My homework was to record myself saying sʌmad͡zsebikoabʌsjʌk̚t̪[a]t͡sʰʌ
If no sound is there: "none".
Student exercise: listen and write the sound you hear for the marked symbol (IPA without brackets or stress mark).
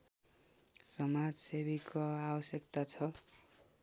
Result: a